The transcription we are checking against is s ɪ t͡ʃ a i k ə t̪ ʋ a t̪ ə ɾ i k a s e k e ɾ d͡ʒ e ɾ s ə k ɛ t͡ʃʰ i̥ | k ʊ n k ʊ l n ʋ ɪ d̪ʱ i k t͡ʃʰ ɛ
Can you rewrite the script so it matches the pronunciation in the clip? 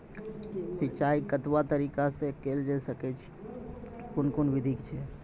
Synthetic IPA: s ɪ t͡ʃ a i k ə t̪ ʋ a t̪ ə ɾ i k a s e k e l d͡ʒ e s ə k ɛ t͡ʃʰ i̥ | k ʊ n k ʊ n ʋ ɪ d̪ʱ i k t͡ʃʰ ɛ